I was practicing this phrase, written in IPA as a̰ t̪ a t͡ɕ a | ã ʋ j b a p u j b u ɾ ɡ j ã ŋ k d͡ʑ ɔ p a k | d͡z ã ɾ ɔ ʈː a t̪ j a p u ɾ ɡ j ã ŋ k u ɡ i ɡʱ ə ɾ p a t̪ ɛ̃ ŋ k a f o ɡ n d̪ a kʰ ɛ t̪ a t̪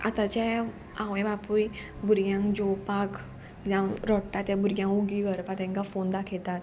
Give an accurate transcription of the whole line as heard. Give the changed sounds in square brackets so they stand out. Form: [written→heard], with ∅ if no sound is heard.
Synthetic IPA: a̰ t̪ a t͡ɕ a | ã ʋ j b a p u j b u ɾ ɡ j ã ŋ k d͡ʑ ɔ p a k | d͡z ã ɾ ɔ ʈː a t̪ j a [p→b] u ɾ ɡ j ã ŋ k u ɡ i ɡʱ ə ɾ p a t̪ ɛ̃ ŋ k a f o [ɡ→∅] n d̪ a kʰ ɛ t̪ a t̪